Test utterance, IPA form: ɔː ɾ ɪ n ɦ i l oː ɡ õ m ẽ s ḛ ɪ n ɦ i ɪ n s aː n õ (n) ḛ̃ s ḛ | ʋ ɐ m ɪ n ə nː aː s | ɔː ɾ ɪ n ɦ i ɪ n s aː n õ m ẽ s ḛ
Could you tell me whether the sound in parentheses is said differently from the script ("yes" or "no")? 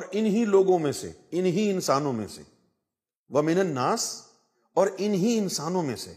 yes